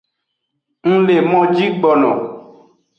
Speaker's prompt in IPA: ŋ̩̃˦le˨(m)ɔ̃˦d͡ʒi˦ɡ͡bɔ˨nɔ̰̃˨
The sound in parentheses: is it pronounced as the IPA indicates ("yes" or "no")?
yes